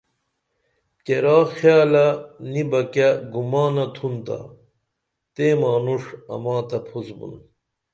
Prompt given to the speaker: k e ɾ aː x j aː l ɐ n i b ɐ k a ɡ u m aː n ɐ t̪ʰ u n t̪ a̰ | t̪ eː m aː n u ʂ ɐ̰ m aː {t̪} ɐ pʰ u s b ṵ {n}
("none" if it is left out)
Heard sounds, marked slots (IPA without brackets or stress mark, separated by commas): t̪, n